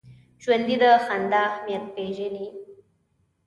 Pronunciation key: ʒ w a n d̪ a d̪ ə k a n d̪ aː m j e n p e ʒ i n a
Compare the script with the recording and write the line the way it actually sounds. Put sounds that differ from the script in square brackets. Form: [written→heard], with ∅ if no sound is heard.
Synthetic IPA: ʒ w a n d̪ [a→i] d̪ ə [k→x] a n d̪ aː m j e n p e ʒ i n [a→i]